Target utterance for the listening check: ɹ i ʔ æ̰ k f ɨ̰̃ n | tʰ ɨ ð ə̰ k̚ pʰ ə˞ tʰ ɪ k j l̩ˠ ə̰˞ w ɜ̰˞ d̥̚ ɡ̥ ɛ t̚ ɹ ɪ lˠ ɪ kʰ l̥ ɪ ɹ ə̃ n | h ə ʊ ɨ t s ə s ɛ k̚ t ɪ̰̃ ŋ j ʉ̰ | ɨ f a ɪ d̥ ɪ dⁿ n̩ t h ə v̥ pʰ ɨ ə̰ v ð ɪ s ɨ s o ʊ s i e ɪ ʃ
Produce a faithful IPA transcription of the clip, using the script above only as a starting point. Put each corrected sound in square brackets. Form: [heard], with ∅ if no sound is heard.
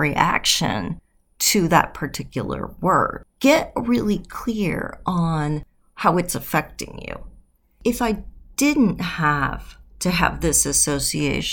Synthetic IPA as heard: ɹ i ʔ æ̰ k [ʃ] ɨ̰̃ n | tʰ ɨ ð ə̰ [t̚] pʰ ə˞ tʰ ɪ k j l̩ˠ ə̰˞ w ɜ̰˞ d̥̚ ɡ̥ ɛ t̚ ɹ ɪ lˠ [i] kʰ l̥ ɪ ɹ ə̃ n | h [a] ʊ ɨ t s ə [f] ɛ k̚ t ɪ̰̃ ŋ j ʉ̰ | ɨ f a ɪ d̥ ɪ dⁿ n̩ t h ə v̥ [tʰ] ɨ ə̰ v ð ɪ s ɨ s o ʊ s i e ɪ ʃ